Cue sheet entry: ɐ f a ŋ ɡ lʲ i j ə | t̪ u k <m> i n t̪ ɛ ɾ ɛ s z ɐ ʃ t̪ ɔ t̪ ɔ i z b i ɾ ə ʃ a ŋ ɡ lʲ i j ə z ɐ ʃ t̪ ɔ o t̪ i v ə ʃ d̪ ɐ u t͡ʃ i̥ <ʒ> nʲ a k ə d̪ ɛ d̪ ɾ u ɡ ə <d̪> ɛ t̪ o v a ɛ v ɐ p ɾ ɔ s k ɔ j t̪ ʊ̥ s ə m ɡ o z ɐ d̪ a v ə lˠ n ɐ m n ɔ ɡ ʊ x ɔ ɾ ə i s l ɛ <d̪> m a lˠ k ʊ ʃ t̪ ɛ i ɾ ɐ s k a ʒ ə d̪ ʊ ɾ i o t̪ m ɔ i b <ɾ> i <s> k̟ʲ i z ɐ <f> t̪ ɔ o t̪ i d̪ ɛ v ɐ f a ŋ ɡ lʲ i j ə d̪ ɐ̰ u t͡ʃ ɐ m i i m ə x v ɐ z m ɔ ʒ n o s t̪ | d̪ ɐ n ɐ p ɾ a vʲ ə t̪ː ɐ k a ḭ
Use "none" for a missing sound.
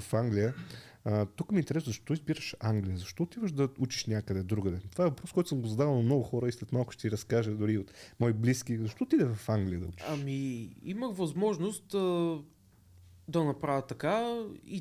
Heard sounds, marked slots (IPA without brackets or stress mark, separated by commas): m, ʃ, d̪, t̪, l, s, ʃ